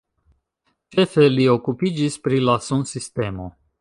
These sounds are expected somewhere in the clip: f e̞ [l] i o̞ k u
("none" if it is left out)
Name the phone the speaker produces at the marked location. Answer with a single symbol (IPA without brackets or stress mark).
l